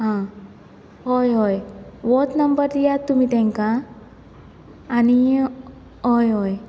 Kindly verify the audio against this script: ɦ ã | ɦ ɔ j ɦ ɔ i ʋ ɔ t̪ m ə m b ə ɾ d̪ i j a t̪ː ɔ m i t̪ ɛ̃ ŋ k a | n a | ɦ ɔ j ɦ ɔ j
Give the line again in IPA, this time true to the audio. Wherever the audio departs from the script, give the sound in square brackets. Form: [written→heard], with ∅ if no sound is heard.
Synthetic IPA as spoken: ɦ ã | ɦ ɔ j ɦ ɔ [i→j] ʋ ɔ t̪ [m→n] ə m b ə ɾ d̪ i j a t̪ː [ɔ→u] m i t̪ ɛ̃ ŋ k a | n [a→i] | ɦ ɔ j ɦ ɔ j